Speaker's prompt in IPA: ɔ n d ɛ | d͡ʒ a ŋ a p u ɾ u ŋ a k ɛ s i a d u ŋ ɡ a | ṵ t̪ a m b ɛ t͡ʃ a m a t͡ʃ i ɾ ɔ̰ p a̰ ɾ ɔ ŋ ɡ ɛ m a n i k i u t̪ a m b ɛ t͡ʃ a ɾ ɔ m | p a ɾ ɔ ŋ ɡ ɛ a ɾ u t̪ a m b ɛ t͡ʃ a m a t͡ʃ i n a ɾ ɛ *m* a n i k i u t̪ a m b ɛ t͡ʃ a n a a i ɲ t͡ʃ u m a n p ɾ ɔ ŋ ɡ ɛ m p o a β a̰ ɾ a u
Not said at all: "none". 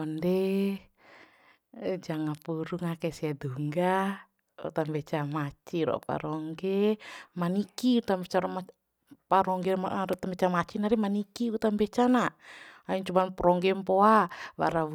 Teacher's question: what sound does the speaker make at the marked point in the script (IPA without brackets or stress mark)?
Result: m